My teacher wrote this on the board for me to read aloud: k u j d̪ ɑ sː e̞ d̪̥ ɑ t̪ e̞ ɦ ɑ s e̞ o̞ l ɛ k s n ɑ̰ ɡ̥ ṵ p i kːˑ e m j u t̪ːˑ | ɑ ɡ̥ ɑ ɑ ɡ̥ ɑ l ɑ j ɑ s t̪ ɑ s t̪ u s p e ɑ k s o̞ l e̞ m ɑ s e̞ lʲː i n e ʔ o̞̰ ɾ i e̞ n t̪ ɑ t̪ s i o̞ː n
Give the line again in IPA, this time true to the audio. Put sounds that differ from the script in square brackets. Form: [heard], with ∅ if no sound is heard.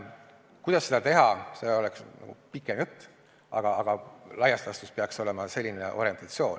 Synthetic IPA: k u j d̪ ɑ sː e̞ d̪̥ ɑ t̪ e̞ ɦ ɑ s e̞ o̞ l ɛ k s n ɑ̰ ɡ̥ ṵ p i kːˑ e m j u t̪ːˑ | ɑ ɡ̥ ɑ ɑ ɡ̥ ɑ l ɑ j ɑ s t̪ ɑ s t̪ u s p e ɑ k s o̞ l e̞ m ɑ s e̞ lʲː i n e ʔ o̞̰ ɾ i e̞ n t̪ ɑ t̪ s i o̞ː n

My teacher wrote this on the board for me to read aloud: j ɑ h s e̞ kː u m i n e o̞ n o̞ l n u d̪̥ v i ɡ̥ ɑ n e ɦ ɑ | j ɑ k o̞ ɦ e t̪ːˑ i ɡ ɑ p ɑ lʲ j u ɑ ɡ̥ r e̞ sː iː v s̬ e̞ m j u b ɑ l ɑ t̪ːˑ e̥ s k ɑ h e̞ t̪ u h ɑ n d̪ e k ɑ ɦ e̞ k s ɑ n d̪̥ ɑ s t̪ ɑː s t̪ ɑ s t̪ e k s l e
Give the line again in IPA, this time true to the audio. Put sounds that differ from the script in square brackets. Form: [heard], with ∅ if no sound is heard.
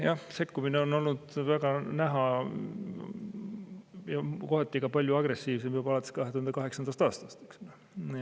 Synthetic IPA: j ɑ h s e̞ kː u m i n e o̞ n o̞ l n u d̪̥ v [æ] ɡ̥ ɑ n [æ] ɦ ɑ | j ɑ k o̞ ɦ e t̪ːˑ i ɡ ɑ p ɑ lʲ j u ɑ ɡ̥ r e̞ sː iː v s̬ e̞ m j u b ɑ l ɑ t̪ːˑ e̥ s k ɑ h e̞ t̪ u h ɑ n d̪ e k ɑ ɦ e̞ k s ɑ n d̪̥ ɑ s t̪ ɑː s t̪ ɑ s t̪ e k s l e

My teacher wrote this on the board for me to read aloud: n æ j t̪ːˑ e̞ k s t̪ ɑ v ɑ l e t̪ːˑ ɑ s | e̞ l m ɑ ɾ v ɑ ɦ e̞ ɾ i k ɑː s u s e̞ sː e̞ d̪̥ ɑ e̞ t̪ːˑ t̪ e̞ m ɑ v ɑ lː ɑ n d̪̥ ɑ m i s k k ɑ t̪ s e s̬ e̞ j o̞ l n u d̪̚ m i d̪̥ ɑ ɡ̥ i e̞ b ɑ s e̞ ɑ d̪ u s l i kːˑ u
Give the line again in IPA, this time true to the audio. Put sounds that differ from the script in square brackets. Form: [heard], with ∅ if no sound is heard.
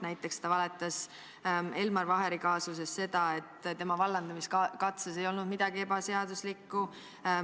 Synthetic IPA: n æ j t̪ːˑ e̞ k s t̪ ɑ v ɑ l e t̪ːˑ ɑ s | e̞ l m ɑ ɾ v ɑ ɦ e̞ ɾ i k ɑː s u s e̞ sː e̞ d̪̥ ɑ e̞ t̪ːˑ t̪ e̞ m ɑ v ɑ lː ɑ n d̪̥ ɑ m i s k k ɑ t̪ s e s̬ e̞ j o̞ l n u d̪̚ m i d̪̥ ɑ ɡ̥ i e̞ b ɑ s e̞ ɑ d̪ u s l i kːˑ u

